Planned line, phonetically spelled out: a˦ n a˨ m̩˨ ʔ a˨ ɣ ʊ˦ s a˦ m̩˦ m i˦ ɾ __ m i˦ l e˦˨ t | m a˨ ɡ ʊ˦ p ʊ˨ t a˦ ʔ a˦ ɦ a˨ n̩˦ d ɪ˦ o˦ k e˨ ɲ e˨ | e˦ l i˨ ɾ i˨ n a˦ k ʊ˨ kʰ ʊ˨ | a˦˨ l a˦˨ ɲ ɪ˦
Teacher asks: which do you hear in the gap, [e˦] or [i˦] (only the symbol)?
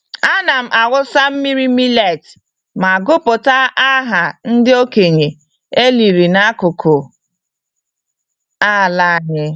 i˦